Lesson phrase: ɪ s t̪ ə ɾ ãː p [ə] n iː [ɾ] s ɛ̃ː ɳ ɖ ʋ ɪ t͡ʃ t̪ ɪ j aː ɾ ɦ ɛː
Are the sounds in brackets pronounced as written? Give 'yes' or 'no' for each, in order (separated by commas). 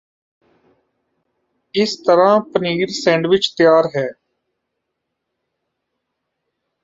yes, yes